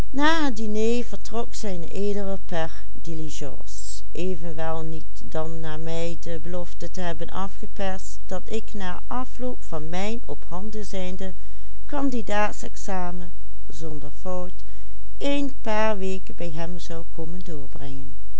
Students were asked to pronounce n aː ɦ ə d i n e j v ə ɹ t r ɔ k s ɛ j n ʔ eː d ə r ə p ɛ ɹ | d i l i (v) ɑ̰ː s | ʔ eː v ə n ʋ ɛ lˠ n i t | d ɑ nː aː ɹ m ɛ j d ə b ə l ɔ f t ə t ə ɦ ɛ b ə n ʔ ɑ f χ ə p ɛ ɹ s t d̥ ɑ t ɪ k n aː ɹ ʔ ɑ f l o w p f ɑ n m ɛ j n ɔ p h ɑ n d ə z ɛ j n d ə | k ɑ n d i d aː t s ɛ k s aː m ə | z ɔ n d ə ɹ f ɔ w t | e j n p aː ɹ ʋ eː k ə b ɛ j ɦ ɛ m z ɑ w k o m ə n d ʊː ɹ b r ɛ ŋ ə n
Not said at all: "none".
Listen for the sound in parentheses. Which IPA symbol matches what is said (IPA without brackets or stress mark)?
ʒ